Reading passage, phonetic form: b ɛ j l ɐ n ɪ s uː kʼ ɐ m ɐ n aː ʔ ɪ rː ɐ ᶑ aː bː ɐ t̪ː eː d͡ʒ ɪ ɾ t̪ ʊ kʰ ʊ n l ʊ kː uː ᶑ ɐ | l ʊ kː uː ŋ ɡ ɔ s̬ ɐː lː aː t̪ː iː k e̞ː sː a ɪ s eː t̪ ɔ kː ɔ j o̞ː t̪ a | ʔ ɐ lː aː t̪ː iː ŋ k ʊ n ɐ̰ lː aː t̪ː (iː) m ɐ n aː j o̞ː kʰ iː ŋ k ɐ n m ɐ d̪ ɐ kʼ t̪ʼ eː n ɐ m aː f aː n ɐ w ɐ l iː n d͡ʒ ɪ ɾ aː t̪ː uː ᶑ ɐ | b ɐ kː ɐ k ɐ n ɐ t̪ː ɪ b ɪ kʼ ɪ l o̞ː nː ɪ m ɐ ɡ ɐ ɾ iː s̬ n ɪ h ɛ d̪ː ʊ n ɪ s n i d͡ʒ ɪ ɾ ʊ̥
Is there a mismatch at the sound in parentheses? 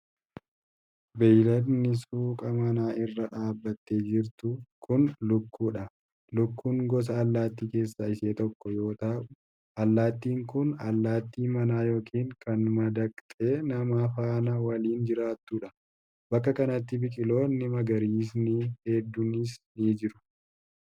no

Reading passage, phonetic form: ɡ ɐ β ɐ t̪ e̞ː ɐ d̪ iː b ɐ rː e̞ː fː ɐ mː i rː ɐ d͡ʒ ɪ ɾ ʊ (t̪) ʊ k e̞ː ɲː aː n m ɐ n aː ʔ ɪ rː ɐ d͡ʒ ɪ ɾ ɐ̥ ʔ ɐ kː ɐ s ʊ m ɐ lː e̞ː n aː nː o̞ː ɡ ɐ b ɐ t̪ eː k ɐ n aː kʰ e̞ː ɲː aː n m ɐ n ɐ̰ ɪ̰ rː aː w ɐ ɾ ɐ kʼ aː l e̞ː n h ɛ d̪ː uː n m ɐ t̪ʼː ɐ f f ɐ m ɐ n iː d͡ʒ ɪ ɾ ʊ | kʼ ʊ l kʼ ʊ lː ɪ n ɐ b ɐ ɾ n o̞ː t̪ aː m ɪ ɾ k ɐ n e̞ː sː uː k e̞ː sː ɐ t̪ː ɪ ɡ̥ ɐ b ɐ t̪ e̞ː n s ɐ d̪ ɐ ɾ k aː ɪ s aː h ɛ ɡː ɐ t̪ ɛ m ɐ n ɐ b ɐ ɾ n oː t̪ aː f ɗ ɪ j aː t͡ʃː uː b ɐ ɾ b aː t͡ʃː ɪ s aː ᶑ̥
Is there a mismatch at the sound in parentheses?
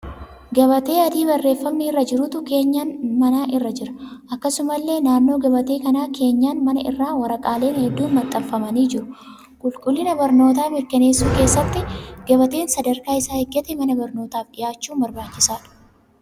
no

